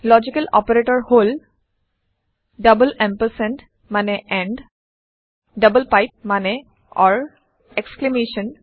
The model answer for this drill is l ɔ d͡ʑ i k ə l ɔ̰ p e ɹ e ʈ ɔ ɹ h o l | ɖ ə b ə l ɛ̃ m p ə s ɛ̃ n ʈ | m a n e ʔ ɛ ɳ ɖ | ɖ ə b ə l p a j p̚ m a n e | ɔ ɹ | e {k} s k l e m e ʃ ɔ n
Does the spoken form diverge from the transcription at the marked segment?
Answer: no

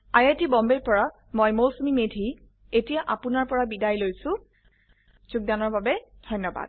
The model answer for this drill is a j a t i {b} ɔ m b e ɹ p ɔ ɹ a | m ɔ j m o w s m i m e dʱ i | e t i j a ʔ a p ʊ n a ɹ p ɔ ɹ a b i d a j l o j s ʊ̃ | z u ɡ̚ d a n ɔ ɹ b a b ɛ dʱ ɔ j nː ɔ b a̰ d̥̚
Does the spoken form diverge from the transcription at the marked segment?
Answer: no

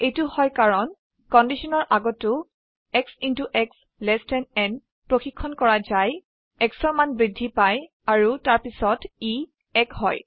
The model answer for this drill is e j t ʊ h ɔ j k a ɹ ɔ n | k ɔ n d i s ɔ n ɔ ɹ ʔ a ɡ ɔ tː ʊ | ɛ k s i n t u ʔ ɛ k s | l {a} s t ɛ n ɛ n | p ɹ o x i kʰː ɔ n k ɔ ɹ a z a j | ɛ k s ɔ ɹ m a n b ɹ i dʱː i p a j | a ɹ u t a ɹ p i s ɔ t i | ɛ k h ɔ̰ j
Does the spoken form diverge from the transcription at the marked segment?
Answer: yes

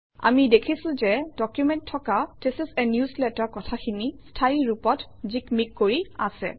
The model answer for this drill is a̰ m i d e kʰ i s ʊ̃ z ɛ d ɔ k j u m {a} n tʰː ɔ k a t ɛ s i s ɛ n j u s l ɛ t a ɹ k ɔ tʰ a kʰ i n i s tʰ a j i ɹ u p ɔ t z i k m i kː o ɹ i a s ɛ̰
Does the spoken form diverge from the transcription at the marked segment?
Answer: yes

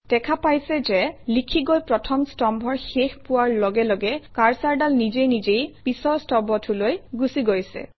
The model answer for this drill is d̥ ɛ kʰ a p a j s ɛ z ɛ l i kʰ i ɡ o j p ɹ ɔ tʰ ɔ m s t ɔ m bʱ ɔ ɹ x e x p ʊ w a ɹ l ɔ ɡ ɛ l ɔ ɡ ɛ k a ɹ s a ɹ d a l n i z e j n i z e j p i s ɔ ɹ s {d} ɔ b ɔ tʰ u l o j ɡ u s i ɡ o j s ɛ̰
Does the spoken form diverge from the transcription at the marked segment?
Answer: yes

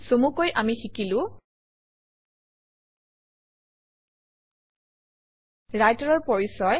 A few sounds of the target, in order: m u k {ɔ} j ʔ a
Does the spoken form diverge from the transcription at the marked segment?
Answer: yes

